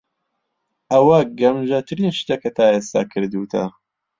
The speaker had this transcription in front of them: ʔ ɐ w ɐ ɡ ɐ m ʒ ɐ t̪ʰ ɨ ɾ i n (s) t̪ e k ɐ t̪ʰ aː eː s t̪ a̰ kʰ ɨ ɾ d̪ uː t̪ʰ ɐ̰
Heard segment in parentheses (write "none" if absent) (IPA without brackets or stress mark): ʃ